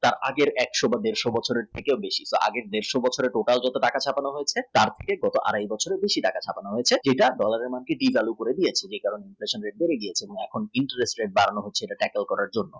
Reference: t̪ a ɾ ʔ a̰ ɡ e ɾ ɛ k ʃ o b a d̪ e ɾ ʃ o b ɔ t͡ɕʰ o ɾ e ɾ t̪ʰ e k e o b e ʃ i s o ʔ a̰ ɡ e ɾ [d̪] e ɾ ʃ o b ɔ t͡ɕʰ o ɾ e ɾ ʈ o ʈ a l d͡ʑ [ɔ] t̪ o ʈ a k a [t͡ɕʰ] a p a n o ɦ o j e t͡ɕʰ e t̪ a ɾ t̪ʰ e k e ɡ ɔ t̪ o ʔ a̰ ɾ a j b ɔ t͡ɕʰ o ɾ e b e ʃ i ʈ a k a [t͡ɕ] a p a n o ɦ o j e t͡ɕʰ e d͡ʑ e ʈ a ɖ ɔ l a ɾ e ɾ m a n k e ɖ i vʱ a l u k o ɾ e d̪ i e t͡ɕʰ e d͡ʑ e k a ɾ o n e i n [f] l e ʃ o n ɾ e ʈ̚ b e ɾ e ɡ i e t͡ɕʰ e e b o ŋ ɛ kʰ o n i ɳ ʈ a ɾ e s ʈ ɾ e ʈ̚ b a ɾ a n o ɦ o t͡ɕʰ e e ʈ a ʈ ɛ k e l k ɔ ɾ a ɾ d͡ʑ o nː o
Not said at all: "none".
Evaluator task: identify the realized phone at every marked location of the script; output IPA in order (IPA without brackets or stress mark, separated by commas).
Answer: d̪, ɔ, t͡ɕʰ, t͡ɕʰ, f